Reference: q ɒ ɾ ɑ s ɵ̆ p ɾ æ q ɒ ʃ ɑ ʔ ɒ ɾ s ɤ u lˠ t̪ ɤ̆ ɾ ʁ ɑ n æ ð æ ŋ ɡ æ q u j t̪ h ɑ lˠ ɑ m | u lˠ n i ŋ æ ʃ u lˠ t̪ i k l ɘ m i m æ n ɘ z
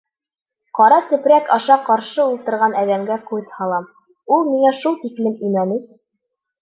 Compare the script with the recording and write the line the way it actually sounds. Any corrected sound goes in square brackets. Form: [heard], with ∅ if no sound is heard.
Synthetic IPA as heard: q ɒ ɾ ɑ s ɵ̆ p ɾ æ [k] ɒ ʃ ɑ [q] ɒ ɾ [ʃ] ɤ u lˠ t̪ ɤ̆ ɾ ʁ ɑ n æ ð æ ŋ ɡ æ q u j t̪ h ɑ lˠ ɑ m | u lˠ [m] i ŋ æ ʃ u lˠ t̪ i k l ɘ m i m æ n ɘ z